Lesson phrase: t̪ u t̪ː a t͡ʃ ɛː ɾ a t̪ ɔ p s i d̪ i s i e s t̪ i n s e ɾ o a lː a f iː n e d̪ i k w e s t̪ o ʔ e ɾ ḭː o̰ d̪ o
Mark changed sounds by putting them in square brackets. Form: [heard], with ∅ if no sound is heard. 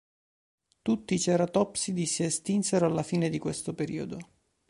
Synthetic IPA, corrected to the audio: t̪ u t̪ː [i] t͡ʃ ɛː ɾ a t̪ ɔ p s i d̪ i s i e s t̪ i n s e ɾ o a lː a f iː n e d̪ i k w e s t̪ o [p] e ɾ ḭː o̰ d̪ o